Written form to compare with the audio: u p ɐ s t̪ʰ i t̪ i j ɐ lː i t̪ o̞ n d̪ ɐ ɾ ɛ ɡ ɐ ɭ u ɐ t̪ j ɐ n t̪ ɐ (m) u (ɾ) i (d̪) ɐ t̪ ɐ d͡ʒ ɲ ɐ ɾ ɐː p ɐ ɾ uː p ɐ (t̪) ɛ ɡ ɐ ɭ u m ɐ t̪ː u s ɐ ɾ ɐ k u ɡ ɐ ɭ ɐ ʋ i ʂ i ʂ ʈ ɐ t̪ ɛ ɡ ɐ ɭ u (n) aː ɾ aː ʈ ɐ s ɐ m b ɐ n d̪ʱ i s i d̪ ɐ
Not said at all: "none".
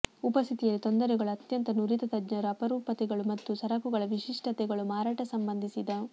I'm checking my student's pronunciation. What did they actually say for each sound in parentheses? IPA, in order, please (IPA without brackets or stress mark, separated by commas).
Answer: n, ɾ, t̪, t̪, m